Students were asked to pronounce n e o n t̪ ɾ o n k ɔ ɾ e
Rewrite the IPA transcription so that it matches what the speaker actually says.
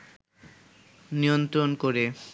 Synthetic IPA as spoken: n i o n t̪ ɾ o n k o ɾ e

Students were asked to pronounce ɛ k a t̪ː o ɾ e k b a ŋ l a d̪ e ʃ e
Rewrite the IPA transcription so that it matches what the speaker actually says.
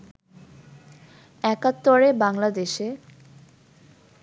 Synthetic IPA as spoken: ɛ k a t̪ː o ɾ e b a ŋ l a d̪ e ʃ e

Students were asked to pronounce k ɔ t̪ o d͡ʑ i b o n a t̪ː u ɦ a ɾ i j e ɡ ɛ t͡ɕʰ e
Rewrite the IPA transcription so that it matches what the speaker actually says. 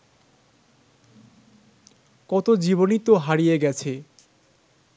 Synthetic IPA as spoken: k ɔ t̪ o d͡ʑ i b o n i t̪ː o ɦ a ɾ i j e ɡ ɛ t͡ɕʰ e

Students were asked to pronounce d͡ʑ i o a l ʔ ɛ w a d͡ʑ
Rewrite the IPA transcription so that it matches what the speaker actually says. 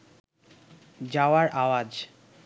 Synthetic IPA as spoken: d͡ʑ a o a ɾ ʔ a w a d͡ʑ

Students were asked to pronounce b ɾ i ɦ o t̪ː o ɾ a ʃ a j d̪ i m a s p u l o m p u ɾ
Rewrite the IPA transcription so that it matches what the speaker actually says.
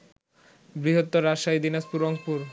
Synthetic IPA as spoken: b ɾ i ɦ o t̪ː o ɾ a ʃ a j d̪ i n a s p u ɾ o ŋ p u ɾ

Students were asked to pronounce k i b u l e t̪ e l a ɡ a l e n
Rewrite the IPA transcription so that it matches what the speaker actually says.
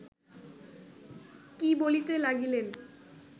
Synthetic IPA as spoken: k i b o l i t̪ e l a ɡ i l e n

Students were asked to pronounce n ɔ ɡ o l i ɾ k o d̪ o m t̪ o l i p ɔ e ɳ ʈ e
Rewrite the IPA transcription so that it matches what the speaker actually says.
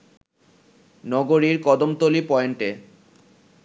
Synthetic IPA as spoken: n ɔ ɡ o ɾ i ɾ k ɔ d̪ o m t̪ o l i p ɔ e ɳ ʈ e

